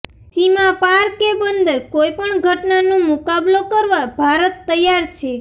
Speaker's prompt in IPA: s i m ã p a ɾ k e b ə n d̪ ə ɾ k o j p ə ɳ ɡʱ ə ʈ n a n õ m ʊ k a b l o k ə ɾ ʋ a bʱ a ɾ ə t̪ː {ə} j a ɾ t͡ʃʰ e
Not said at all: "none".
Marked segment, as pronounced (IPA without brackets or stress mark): ə